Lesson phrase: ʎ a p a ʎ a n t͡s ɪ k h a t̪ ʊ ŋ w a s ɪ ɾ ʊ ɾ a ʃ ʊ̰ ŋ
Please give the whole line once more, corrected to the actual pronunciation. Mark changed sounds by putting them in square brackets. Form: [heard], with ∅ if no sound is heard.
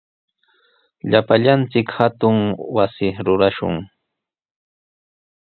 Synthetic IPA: ʎ a p a ʎ a n t͡s ɪ k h a t̪ ʊ ŋ w a s ɪ ɾ ʊ ɾ a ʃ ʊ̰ ŋ